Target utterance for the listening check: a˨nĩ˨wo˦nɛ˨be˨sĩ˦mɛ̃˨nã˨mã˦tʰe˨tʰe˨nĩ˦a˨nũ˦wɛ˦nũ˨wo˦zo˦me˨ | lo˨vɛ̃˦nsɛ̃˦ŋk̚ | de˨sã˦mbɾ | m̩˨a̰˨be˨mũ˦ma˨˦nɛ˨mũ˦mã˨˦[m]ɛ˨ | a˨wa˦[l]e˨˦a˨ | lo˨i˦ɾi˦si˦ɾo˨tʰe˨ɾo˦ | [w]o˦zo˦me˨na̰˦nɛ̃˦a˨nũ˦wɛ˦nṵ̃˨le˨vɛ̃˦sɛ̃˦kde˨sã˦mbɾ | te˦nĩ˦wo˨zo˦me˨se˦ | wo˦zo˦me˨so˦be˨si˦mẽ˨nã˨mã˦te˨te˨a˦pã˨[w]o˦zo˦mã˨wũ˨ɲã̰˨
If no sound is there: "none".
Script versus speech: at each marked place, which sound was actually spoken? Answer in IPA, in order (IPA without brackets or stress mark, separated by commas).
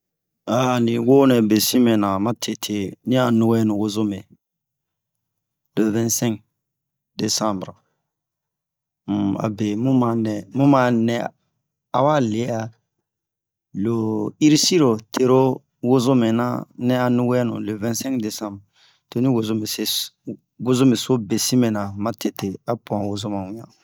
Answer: n, l, w, w